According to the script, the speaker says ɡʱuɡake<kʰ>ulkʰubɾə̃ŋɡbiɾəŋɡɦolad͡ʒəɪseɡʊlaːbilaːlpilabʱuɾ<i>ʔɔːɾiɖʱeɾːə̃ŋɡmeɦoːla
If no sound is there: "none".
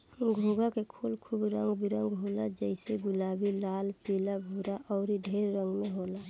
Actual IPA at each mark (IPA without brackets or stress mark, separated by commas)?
kʰ, a